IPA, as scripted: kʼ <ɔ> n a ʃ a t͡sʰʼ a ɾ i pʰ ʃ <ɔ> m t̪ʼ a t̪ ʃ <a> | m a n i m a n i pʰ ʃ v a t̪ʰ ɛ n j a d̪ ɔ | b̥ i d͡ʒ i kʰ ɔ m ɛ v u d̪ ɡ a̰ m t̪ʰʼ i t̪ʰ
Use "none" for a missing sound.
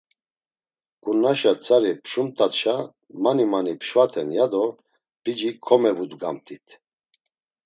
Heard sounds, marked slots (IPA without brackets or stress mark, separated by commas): u, u, a